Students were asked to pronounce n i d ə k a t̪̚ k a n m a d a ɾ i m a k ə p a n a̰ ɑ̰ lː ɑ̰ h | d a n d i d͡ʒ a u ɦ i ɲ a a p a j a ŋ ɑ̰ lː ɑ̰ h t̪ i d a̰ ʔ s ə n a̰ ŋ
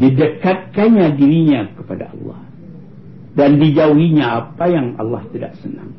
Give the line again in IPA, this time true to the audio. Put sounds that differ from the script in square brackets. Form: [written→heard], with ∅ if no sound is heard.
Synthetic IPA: [n→d] i d ə k a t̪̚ k a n [m→ɲ] a d [a→i] ɾ i [m→ɲ] a k ə p a [n→d] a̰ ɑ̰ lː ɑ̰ h | d a n d i d͡ʒ a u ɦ i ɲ a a p a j a ŋ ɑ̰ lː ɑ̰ h t̪ i d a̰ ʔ s ə n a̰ ŋ